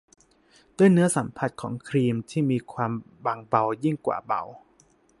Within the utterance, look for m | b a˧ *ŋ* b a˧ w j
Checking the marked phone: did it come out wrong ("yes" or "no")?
no